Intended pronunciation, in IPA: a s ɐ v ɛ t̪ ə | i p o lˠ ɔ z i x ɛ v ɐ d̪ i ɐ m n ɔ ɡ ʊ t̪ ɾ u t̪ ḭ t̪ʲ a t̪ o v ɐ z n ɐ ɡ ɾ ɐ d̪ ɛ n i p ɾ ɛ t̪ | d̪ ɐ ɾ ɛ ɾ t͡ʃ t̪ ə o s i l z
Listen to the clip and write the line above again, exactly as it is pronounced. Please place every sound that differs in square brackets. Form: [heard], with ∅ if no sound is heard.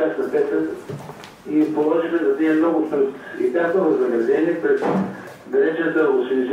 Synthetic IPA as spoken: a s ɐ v ɛ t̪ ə | i p o lˠ ɔ [ʒ] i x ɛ [z] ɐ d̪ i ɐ m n ɔ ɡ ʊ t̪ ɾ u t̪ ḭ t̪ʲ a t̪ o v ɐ z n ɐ ɡ ɾ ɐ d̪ ɛ n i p ɾ ɛ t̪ | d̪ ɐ ɾ ɛ [∅] t͡ʃ t̪ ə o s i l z